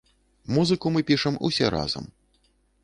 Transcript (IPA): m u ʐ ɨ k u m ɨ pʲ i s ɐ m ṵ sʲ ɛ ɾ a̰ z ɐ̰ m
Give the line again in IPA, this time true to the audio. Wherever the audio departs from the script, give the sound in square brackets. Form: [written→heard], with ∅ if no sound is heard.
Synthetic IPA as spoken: m u [ʐ→z] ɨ k u m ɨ pʲ i [s→ʂ] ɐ m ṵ sʲ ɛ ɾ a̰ z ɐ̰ m